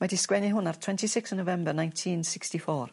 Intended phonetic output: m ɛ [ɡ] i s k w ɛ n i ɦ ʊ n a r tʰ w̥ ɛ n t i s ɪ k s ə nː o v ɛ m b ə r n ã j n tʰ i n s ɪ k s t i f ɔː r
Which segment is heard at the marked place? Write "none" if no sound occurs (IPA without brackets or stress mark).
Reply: d